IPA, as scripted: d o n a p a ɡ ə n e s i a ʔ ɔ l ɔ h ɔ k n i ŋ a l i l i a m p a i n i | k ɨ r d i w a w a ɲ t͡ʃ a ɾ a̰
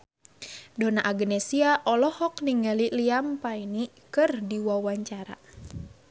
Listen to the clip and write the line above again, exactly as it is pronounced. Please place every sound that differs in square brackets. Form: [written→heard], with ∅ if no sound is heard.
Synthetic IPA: d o n a [p→ʔ] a ɡ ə n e s i a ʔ ɔ l ɔ h ɔ k n i ŋ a l i l i a m p a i n i | k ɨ r d i w a w a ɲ t͡ʃ a ɾ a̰